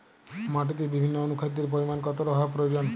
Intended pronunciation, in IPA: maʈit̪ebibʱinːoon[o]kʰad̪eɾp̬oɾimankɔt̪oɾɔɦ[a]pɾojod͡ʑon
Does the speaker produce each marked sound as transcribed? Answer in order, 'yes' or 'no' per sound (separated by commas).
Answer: no, yes